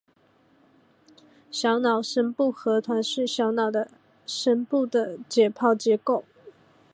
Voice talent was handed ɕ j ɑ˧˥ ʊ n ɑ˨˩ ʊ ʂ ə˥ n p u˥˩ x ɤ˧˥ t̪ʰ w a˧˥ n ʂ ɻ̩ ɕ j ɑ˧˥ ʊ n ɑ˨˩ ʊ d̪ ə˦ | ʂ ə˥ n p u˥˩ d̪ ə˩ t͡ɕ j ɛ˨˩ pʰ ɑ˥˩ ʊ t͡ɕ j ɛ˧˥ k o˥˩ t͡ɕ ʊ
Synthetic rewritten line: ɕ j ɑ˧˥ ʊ n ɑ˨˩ ʊ ʂ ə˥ n p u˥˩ x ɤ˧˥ t̪ʰ w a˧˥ n ʂ ɻ̩ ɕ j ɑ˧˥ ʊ n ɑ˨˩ ʊ d̪ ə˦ | ʂ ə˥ n p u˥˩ d̪ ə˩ t͡ɕ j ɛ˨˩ pʰ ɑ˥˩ ʊ t͡ɕ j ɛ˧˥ k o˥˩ ʊ